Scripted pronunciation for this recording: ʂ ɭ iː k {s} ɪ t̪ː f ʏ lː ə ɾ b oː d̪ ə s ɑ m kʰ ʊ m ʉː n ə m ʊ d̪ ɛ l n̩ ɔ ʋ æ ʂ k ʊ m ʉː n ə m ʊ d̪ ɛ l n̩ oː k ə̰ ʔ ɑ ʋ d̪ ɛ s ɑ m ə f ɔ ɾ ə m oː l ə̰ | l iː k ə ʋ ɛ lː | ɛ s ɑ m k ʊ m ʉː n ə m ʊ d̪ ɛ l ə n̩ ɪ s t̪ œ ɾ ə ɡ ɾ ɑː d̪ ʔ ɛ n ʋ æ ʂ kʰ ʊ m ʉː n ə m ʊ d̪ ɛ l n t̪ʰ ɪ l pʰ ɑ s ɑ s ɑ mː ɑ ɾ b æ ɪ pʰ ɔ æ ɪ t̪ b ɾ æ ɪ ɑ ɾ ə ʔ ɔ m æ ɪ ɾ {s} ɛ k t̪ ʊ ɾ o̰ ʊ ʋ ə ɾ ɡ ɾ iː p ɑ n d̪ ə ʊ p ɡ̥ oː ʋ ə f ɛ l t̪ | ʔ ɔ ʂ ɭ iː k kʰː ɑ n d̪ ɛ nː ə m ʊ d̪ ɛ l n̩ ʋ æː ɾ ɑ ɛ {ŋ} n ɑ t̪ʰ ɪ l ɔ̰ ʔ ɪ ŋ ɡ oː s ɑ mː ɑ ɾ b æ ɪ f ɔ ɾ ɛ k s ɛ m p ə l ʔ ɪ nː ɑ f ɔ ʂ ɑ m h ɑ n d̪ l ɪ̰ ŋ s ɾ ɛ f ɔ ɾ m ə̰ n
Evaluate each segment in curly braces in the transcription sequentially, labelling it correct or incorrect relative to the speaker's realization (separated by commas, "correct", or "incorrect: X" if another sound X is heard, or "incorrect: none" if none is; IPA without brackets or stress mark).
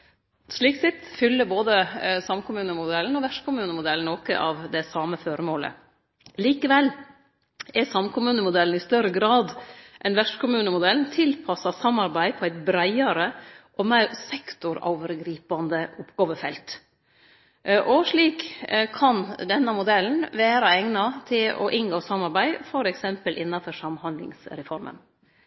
correct, correct, correct